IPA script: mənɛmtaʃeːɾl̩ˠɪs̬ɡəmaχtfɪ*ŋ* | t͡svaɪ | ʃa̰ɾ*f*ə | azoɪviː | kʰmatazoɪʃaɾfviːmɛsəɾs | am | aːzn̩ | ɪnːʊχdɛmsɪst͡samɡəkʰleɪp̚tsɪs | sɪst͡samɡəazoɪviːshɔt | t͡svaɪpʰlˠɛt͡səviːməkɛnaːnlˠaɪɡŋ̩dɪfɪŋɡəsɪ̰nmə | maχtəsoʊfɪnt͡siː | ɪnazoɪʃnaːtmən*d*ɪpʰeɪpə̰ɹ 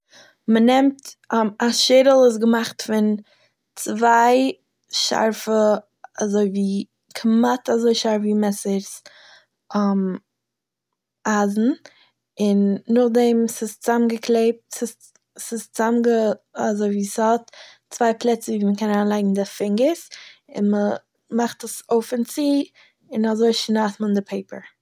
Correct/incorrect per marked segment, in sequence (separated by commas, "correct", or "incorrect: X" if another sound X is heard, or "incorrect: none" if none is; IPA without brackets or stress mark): incorrect: n, correct, correct